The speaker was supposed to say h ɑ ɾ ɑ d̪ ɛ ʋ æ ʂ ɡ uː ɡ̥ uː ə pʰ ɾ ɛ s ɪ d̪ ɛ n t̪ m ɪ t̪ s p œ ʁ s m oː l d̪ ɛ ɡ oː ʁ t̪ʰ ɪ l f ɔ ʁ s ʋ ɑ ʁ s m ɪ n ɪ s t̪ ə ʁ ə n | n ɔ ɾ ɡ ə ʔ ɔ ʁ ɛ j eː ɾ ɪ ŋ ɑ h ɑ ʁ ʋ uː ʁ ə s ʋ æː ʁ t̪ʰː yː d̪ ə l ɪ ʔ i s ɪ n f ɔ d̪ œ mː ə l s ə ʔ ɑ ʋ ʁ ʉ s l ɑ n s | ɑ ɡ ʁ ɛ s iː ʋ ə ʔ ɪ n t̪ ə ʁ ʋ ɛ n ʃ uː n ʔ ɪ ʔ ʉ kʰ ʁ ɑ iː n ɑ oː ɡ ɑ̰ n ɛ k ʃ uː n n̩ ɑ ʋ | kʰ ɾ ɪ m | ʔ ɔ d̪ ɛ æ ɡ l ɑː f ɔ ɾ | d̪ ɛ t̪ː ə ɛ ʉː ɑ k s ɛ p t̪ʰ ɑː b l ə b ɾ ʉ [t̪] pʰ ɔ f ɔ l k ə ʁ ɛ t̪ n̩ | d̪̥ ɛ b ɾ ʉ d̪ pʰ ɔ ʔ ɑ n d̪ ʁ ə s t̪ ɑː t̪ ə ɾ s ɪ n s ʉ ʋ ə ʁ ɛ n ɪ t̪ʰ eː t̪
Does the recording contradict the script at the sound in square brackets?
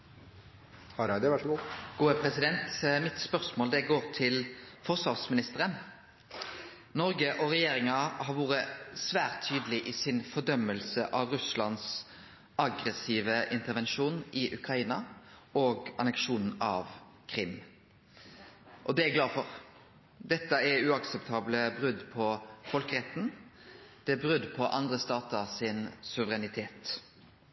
yes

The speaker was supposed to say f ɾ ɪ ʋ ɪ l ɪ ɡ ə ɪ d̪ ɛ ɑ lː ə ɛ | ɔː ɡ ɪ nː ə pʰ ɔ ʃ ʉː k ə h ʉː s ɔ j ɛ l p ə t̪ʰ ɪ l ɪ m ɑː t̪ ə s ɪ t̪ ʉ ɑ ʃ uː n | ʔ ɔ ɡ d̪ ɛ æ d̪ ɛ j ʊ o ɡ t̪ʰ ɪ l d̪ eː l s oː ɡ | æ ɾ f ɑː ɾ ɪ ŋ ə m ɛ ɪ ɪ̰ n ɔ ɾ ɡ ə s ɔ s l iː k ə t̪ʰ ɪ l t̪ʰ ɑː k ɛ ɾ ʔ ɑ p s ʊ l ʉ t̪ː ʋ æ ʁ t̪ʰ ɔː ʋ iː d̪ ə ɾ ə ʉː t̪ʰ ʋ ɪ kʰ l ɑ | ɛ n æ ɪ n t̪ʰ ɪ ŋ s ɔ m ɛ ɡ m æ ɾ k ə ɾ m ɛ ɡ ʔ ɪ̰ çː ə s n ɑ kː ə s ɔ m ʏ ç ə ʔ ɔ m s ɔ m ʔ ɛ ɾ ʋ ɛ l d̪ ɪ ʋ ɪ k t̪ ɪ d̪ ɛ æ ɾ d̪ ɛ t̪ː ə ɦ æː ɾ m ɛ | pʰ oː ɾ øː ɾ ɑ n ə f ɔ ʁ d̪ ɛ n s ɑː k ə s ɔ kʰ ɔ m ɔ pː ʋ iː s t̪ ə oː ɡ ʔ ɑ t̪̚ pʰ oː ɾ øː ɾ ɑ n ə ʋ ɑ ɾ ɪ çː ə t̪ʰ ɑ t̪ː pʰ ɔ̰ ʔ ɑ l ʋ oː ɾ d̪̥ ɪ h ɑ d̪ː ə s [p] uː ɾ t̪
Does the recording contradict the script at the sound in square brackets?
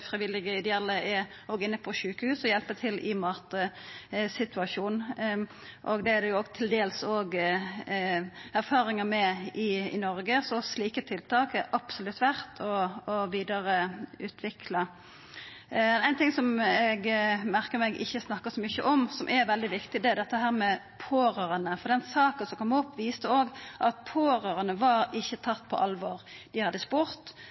no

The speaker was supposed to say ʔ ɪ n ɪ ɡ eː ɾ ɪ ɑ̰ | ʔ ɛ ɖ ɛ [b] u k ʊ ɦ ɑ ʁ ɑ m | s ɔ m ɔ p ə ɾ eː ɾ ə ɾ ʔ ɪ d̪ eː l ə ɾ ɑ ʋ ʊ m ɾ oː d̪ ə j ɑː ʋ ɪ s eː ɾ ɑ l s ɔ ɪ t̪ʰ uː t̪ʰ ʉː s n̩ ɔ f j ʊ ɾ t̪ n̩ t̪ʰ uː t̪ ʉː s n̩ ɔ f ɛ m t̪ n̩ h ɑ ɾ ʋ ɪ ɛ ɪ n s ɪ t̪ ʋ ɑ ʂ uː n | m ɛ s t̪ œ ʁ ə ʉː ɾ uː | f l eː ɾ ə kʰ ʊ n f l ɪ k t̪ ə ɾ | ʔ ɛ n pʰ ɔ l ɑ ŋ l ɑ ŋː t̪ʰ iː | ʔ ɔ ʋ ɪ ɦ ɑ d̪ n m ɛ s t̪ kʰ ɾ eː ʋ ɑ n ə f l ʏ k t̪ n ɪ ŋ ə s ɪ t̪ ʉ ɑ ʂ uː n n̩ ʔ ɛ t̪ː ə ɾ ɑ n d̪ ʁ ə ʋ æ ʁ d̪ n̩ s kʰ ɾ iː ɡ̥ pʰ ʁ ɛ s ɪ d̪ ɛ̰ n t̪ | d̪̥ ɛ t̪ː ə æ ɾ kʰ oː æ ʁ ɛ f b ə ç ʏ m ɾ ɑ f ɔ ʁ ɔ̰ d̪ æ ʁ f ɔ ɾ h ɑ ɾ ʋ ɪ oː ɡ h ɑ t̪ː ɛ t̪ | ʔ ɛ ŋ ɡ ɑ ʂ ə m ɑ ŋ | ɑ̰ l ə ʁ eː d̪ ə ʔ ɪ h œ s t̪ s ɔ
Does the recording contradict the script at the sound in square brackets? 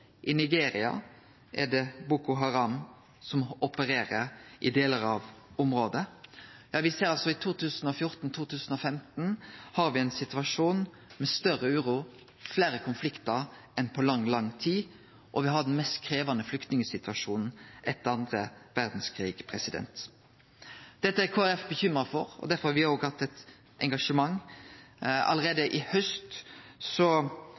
no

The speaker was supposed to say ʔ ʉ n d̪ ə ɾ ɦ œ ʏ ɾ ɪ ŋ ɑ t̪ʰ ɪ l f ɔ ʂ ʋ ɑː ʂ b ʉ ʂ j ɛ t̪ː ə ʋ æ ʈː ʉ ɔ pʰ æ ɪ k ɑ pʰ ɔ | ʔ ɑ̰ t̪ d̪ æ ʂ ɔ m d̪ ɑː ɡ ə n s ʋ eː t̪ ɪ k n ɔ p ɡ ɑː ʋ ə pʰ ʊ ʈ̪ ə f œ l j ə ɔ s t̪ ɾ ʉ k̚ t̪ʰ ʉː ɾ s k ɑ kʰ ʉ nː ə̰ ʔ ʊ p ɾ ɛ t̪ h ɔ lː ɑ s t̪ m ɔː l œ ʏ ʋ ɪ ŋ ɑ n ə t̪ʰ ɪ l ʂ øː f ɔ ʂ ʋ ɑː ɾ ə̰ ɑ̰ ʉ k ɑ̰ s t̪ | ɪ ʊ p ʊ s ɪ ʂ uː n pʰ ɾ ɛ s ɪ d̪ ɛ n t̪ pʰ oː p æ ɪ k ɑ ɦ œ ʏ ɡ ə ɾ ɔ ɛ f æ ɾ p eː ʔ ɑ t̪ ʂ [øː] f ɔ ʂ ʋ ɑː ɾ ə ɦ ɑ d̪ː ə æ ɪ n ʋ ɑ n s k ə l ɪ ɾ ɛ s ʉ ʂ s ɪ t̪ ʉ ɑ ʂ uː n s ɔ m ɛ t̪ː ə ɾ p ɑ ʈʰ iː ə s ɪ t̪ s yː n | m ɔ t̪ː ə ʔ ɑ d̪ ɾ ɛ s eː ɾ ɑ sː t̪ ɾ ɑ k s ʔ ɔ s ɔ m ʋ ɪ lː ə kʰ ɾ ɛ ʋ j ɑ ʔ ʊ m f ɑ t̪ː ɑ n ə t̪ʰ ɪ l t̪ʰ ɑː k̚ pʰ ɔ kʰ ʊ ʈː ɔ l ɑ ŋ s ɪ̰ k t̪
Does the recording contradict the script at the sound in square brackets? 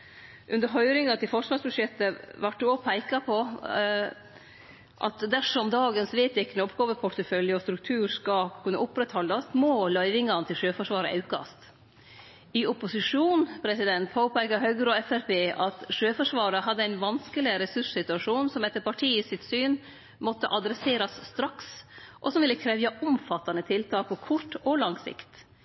no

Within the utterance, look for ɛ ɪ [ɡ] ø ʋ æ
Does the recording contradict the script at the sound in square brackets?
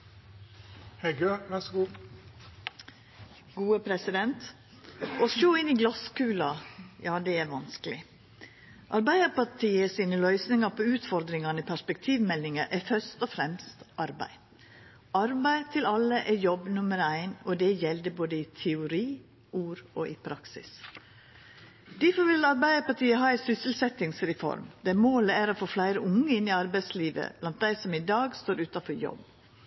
no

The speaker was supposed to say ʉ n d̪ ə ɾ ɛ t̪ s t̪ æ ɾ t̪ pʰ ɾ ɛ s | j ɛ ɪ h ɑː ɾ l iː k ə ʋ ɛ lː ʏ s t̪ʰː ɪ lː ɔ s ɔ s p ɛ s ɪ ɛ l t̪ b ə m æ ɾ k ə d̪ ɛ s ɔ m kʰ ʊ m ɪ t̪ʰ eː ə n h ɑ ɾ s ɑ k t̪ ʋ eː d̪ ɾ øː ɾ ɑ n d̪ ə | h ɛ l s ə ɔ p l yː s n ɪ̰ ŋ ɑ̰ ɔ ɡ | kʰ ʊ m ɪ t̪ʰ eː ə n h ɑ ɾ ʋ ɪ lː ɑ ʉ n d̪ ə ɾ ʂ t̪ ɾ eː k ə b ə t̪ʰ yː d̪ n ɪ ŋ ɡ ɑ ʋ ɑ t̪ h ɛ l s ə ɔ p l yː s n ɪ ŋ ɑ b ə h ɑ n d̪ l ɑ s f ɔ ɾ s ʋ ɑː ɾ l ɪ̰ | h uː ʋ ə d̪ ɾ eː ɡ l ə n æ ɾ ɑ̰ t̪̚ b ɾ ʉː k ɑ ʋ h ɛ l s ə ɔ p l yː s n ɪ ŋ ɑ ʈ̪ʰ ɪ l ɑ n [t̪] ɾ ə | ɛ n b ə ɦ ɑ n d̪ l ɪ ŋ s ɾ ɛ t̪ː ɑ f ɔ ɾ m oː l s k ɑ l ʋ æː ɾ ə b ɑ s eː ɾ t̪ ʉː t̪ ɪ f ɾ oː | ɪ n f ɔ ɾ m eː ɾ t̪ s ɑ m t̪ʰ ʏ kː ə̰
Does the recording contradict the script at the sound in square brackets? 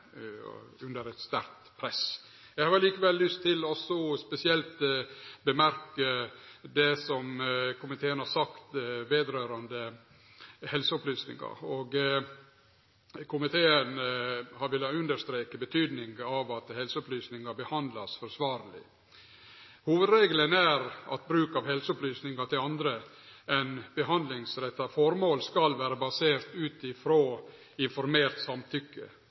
yes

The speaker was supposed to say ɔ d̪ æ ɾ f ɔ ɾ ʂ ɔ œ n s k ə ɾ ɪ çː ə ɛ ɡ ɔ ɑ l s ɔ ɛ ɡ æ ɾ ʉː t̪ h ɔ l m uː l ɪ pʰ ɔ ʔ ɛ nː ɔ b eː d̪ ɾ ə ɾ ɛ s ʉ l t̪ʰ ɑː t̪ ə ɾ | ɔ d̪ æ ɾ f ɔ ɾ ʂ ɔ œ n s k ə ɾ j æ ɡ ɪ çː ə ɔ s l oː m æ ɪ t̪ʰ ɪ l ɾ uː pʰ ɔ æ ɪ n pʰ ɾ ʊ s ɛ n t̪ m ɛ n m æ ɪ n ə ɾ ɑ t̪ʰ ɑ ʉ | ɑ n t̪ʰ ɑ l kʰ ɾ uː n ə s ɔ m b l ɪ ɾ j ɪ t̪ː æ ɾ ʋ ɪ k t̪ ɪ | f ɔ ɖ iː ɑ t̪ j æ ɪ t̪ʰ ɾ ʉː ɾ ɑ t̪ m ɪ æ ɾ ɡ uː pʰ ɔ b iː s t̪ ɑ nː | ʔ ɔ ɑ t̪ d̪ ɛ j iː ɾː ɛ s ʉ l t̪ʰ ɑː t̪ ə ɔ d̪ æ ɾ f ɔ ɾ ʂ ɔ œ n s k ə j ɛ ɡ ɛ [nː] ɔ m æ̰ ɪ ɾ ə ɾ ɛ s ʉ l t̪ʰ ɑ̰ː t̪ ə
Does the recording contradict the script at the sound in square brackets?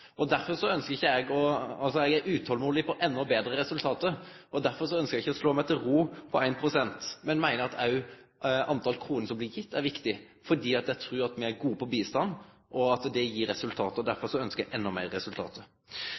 no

